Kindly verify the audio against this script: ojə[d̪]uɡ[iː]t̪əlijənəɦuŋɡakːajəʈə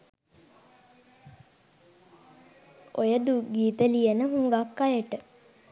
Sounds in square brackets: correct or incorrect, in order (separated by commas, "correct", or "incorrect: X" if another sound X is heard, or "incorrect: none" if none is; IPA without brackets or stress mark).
correct, correct